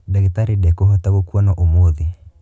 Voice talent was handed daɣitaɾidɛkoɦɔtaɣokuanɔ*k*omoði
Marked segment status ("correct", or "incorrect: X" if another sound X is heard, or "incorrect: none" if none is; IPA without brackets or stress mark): incorrect: ʔ